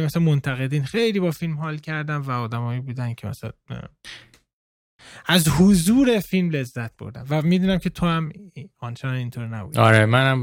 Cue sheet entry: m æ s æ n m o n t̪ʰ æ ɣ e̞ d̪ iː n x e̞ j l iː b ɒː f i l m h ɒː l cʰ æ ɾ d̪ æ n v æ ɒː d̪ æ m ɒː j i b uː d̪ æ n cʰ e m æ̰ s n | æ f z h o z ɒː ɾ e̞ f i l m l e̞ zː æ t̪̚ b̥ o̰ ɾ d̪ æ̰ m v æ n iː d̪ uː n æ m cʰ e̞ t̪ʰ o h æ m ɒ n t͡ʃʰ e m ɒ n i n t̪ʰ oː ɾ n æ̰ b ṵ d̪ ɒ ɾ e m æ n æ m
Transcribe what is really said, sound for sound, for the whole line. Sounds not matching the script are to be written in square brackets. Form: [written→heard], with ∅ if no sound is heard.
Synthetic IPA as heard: m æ s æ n m o n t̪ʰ æ ɣ e̞ d̪ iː n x e̞ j l iː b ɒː f i l m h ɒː l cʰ æ ɾ d̪ æ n v æ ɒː d̪ æ m ɒː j i b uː d̪ æ n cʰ e m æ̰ s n | æ [f→∅] z h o z [ɒː→uː] ɾ e̞ f i l m l e̞ zː æ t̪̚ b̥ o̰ ɾ d̪ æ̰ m v æ [n→m] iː d̪ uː n æ m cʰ e̞ t̪ʰ o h æ m ɒ n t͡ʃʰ e [m→n] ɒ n i n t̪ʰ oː ɾ n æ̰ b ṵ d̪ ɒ ɾ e m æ n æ m